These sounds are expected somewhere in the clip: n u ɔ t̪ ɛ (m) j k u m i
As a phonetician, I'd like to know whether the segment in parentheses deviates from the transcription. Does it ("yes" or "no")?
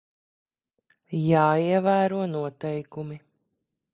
yes